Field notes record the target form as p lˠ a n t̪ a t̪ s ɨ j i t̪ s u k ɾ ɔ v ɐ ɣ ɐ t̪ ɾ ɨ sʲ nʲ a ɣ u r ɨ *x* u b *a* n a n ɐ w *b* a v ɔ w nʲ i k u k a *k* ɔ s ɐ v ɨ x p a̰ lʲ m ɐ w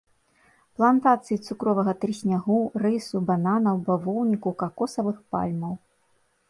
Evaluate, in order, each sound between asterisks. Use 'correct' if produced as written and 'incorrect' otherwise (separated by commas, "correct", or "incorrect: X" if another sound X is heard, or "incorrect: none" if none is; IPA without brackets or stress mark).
incorrect: s, correct, correct, correct